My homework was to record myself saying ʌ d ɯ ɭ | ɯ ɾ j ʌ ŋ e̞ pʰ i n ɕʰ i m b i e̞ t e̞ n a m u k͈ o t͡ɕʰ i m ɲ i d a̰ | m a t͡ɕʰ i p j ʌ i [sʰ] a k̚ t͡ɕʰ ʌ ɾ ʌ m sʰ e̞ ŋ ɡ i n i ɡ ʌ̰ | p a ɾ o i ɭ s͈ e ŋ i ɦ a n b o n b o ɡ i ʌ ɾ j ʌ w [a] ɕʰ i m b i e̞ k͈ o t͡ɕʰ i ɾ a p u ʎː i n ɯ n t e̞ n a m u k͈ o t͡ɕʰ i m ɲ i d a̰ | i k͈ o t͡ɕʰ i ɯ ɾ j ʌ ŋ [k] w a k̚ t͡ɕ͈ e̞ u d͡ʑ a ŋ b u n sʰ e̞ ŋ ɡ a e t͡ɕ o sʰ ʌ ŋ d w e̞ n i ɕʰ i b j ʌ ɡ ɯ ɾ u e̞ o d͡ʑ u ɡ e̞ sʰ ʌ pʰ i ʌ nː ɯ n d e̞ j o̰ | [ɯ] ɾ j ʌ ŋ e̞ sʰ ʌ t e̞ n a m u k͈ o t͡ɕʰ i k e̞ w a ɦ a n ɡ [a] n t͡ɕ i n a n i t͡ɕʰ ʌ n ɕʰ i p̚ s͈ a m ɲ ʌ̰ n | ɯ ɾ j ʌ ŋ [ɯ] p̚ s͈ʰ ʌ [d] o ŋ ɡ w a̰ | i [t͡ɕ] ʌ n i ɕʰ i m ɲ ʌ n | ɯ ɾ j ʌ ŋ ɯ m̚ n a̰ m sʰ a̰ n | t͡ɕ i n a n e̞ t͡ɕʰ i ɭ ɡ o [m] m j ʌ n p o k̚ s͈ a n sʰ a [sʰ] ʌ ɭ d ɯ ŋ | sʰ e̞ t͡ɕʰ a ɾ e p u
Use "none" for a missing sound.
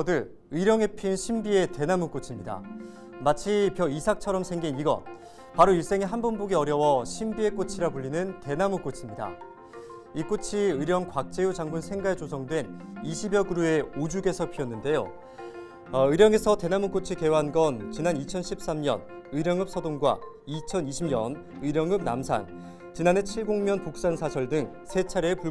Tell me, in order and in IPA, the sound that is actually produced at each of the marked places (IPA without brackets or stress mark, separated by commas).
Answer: sʰ, ʌ, k, ɯ, ʌ, ɯ, d, t͡ɕʰ, ŋ, sʰ